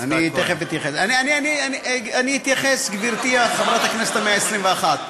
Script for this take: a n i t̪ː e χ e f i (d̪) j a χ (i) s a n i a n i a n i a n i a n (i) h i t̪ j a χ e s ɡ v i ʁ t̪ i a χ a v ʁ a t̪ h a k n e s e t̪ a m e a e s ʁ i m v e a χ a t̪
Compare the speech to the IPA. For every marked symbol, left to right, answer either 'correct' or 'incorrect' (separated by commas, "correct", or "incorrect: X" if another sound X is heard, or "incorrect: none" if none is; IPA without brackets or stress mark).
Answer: incorrect: t̪, incorrect: e, correct